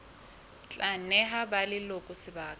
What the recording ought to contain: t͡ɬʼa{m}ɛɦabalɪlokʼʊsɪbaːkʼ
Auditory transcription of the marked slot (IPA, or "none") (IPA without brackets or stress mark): n